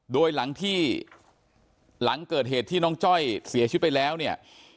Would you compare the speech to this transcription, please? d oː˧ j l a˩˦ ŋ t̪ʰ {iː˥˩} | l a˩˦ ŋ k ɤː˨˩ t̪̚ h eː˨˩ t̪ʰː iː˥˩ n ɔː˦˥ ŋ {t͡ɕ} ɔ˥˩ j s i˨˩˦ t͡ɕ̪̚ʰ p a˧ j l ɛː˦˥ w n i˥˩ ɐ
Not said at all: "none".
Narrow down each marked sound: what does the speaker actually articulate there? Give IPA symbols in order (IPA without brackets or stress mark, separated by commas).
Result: iː˥˩, t͡ɕ